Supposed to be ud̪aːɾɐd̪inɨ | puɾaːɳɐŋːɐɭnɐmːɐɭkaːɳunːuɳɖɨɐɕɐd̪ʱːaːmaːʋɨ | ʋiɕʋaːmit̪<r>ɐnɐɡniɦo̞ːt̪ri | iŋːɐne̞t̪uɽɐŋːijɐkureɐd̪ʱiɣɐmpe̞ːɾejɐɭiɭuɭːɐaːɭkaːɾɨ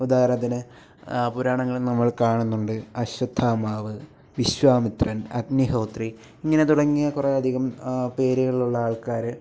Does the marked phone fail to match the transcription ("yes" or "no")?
no